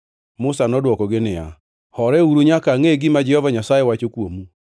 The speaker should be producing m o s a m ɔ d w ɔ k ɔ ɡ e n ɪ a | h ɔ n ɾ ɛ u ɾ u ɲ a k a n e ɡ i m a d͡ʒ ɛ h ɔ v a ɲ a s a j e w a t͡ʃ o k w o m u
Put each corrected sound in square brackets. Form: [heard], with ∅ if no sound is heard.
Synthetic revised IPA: m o s a [n] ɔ d w ɔ k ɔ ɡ e n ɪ a | h ɔ [∅] ɾ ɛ u ɾ u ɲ a k a [ŋ] e ɡ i m a d͡ʒ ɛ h ɔ v a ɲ a s a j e w a t͡ʃ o k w o m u